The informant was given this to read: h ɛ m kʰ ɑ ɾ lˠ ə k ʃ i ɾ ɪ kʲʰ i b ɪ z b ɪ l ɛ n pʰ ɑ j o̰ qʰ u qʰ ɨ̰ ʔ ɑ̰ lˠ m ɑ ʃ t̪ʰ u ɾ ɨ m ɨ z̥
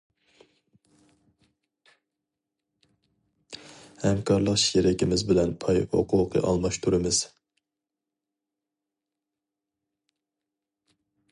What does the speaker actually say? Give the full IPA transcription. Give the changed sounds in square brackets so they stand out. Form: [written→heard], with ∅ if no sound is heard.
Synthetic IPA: h ɛ m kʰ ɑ ɾ lˠ ə [k→q] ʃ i ɾ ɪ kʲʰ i [b→m] ɪ z b ɪ l ɛ n pʰ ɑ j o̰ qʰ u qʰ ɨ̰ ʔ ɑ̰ lˠ m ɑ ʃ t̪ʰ u ɾ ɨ m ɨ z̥